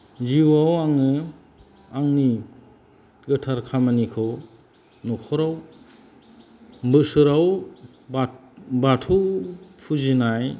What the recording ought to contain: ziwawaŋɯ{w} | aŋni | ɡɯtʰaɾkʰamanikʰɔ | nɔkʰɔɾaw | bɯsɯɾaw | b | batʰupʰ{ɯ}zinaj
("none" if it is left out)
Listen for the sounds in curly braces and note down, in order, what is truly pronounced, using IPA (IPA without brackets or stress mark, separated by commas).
none, u